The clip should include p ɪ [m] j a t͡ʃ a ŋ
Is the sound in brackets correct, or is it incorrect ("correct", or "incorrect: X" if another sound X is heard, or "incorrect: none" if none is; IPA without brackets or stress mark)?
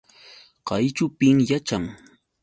incorrect: ŋ